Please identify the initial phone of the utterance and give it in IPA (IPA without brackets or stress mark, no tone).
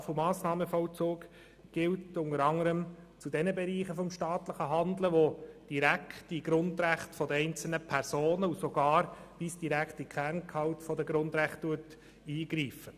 f